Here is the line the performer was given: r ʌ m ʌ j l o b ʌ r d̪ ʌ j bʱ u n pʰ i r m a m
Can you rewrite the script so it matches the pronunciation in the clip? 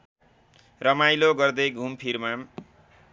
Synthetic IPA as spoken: r ʌ m a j l o ɡ ʌ r d̪ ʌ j ɡʱ u m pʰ i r m a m

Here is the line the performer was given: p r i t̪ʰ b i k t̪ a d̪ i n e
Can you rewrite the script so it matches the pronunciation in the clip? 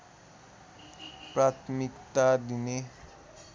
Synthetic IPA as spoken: p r a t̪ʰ m i k t̪ a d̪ i n e

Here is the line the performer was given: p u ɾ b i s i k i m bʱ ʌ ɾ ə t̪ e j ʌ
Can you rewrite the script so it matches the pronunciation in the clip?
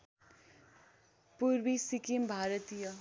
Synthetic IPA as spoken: p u ɾ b i s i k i m bʱ a ɾ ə t̪ i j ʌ

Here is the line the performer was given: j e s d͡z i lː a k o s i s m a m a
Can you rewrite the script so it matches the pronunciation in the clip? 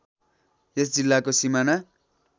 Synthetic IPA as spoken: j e s d͡z i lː a k o s i m a n a

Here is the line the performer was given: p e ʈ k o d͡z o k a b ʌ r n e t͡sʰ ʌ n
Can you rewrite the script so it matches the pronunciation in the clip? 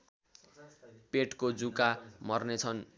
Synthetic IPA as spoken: p e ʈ k o d͡z u k a m ʌ r n e t͡sʰ ʌ n

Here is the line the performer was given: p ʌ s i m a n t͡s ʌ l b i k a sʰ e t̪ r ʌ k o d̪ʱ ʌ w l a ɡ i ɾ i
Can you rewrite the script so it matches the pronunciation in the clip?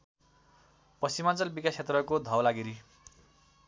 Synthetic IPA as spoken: p ʌ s i m a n t͡s ʌ l b i k a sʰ e t̪ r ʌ k o d̪ʱ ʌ w l a ɡ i ɾ i

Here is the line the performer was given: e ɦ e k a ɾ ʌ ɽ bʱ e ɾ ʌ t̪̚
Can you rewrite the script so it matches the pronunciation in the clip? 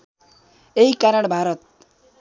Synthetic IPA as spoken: e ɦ i k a ɾ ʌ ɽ bʱ a ɾ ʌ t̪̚

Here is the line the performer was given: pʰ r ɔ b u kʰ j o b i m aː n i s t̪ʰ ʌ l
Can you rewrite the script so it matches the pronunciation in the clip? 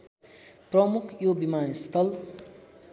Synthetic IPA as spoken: p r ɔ m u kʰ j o b i m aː n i s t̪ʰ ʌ l

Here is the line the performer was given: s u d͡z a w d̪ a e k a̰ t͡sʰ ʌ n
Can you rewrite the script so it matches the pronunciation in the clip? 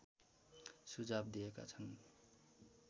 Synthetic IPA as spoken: s u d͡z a b d̪ i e k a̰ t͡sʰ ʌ n

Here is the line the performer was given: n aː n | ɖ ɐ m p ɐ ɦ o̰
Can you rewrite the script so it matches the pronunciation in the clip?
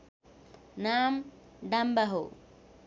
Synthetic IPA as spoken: n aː m | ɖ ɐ m b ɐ ɦ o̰

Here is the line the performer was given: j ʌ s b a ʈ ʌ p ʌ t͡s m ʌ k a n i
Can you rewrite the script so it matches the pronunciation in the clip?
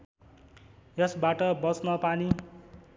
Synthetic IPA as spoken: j ʌ s b a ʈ ʌ b ʌ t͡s n ʌ p a n i

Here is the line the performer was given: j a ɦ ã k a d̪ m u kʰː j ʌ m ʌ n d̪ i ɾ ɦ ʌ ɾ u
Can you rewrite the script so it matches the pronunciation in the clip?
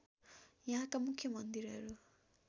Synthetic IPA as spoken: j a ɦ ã k a m u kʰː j ʌ m ʌ n d̪ i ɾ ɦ ʌ ɾ u

